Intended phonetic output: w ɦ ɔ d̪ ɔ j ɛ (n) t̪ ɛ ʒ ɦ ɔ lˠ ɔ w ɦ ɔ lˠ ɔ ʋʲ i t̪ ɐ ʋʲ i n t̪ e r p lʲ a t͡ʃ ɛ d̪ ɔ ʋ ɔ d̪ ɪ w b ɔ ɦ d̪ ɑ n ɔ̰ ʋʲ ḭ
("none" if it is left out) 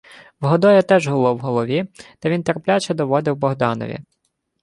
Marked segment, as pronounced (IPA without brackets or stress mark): none